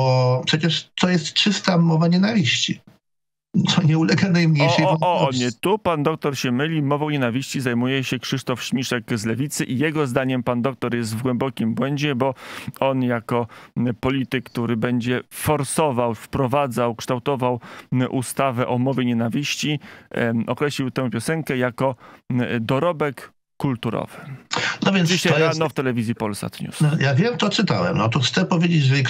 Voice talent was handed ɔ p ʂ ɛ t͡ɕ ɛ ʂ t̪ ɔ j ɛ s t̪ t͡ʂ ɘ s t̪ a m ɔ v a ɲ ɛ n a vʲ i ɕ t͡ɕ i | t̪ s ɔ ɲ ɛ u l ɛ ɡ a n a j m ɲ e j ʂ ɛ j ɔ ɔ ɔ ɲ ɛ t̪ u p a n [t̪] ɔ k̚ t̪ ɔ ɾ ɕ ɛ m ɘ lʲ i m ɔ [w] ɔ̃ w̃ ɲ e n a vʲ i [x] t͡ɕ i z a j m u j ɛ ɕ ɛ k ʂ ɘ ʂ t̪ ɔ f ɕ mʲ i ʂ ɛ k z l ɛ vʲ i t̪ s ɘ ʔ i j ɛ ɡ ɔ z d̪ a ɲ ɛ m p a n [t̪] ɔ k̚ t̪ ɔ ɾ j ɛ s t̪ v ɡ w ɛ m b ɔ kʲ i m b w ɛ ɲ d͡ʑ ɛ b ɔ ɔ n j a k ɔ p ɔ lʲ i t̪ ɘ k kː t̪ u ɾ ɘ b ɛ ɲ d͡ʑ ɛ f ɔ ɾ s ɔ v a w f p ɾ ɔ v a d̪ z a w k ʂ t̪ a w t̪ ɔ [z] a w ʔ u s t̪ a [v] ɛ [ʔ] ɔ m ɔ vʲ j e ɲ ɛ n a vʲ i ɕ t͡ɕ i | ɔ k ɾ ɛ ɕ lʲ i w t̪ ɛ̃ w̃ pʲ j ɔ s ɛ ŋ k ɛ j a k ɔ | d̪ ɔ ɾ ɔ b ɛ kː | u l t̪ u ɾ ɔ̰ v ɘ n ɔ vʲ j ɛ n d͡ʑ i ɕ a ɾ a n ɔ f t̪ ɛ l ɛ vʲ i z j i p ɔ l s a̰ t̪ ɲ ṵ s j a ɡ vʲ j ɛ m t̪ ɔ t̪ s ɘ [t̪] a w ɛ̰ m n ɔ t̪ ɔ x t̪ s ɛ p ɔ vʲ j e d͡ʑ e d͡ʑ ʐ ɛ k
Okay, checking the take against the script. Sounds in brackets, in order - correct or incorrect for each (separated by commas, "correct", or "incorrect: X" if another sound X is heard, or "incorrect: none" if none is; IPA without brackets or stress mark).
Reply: incorrect: d̪, incorrect: v, incorrect: ɕ, incorrect: d̪, incorrect: v, correct, correct, correct